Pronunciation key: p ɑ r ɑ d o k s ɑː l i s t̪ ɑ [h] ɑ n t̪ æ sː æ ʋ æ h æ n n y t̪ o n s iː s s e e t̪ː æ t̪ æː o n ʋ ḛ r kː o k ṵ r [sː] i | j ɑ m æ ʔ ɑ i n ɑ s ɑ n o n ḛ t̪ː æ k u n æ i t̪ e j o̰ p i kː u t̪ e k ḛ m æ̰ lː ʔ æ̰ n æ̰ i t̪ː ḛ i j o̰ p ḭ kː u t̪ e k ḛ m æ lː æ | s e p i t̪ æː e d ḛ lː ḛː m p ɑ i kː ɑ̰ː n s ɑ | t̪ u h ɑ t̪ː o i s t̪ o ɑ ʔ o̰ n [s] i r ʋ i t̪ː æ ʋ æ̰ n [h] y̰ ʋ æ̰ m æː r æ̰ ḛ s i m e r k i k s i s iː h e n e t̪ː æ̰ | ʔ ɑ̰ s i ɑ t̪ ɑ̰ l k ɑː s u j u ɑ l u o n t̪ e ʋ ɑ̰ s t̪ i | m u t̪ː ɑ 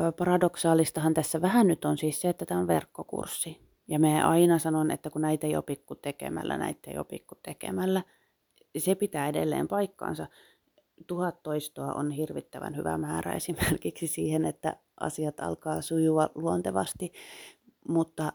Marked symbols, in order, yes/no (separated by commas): yes, yes, no, yes